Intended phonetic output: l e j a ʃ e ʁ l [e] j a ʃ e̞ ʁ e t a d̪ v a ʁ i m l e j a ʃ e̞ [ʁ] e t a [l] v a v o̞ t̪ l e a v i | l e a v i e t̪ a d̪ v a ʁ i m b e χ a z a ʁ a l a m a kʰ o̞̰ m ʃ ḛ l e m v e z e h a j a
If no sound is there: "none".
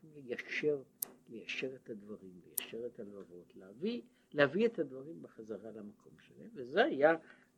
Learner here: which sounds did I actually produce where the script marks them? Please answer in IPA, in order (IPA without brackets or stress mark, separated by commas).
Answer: e, ʁ, l